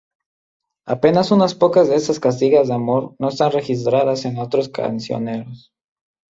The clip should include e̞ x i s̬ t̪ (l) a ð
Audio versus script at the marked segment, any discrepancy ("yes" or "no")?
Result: yes